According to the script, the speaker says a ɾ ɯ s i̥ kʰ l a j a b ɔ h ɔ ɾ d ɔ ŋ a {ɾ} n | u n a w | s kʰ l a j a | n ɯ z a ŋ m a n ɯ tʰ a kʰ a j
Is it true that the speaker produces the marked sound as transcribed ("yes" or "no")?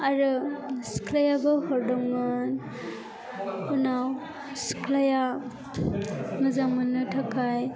no